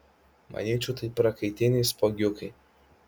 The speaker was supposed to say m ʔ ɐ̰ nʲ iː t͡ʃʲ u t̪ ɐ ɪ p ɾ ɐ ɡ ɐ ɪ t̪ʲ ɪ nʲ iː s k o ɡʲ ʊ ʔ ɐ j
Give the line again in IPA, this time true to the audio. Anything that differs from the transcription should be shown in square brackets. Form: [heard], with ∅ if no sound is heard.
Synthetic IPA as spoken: m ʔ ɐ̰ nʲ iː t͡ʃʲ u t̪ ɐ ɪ p ɾ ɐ [k] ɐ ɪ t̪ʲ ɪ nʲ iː s [p] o ɡʲ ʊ [k] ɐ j